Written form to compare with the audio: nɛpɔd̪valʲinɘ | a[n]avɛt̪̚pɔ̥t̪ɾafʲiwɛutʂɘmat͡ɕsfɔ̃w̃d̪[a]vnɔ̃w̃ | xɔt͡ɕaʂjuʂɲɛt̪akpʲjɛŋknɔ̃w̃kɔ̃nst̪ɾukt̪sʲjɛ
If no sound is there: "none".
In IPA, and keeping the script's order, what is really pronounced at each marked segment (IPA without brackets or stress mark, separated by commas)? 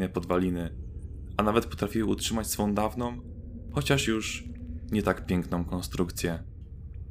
n, a